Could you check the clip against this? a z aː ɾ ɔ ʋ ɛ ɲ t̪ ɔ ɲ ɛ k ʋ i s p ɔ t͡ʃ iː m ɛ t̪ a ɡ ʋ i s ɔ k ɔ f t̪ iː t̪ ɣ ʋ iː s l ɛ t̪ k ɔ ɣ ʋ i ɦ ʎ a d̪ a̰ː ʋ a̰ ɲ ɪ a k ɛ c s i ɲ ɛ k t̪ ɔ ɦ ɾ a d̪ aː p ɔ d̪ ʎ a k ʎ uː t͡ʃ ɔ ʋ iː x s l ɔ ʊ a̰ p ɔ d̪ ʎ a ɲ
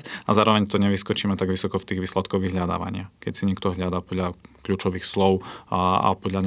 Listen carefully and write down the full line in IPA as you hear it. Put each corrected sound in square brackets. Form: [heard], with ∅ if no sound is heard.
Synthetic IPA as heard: a z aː ɾ ɔ ʋ ɛ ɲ t̪ ɔ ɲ ɛ [∅] ʋ i s [k] ɔ t͡ʃ iː m ɛ t̪ a ɡ ʋ i s ɔ k ɔ f t̪ iː [∅] ɣ ʋ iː s l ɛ t̪ k ɔ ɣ ʋ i ɦ ʎ a d̪ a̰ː ʋ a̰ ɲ ɪ a k ɛ c s i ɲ ɛ k t̪ ɔ ɦ [ʎ] a d̪ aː p ɔ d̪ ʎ a k ʎ uː t͡ʃ ɔ ʋ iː x s l ɔ ʊ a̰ p ɔ d̪ ʎ a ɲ